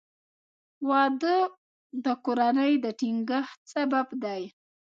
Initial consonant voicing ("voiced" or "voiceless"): voiced